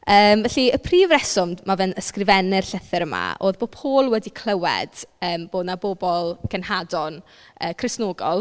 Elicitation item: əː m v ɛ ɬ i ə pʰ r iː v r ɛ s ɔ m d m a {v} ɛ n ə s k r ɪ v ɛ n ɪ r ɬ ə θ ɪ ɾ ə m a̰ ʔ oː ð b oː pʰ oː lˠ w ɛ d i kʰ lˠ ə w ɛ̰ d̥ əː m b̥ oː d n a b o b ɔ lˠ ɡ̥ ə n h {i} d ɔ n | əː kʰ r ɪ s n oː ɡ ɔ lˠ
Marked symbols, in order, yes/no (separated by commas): yes, no